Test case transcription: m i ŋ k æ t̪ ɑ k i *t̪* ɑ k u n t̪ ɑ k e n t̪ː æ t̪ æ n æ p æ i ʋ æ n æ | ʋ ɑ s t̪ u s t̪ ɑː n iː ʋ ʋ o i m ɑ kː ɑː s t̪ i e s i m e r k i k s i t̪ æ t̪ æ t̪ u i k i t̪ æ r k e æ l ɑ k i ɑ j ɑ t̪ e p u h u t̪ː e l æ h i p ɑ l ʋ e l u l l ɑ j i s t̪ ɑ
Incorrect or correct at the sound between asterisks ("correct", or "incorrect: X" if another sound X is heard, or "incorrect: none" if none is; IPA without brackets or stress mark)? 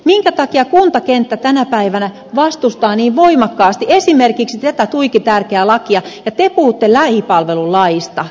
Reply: incorrect: none